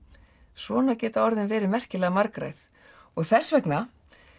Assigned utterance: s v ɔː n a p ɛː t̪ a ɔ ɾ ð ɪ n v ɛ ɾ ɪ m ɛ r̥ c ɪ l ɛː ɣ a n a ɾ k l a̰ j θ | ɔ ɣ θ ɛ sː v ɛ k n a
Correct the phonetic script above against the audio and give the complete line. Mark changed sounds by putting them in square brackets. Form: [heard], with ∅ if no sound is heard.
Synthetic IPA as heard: s v ɔː n a [c] ɛː t̪ a ɔ ɾ ð ɪ n v [ɛː] ɾ ɪ m ɛ r̥ c ɪ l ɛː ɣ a [m] a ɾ k [ɾ] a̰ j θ | ɔ ɣ θ ɛ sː v ɛ k n a